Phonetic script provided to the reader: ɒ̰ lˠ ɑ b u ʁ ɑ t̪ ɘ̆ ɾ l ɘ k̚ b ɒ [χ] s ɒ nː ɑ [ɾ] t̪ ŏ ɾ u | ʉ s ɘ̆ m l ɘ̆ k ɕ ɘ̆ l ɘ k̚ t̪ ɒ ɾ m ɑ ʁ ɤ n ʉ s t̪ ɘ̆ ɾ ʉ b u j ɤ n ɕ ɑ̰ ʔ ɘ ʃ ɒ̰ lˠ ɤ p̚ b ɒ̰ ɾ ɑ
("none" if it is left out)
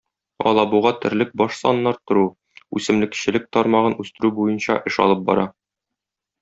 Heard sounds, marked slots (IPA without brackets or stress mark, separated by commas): ʃ, ɾ